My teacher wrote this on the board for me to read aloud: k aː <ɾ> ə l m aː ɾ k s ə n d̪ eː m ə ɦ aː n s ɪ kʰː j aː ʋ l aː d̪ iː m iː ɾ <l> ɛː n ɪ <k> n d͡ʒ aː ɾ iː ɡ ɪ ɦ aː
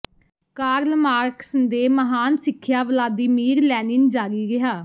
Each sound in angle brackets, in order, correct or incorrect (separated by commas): correct, correct, incorrect